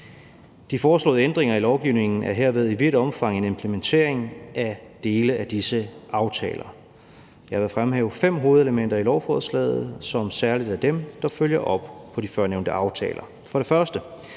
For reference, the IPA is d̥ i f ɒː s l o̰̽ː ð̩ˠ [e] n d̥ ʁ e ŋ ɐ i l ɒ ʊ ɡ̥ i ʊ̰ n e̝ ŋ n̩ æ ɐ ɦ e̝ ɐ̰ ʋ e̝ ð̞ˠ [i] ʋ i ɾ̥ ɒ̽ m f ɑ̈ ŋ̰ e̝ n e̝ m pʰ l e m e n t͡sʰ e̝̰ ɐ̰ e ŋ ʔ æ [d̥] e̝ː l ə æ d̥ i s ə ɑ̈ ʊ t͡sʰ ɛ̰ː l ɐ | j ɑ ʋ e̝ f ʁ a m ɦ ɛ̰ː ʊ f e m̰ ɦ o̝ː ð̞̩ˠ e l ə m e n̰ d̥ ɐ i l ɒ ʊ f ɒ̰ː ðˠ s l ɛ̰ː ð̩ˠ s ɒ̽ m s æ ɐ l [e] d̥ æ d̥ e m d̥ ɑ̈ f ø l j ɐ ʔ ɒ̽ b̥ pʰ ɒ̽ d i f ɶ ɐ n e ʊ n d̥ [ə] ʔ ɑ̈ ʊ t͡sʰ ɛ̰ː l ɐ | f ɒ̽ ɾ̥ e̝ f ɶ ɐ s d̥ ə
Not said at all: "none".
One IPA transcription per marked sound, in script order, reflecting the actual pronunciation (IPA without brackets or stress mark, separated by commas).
e, i, d̥, i, ə